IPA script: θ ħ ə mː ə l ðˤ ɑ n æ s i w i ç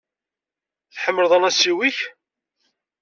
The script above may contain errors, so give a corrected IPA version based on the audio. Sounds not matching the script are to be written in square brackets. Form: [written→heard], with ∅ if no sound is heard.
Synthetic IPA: θ ħ ə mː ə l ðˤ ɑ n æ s i w i ç